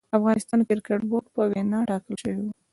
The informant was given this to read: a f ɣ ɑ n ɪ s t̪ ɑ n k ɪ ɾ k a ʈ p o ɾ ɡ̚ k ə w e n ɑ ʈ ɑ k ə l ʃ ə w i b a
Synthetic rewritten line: a f ɣ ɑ n ɪ s t̪ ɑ n k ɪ ɾ k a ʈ b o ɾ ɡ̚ p ə w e n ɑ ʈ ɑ k ə l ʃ ə w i w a